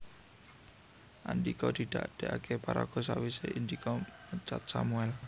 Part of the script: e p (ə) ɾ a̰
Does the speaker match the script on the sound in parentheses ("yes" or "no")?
no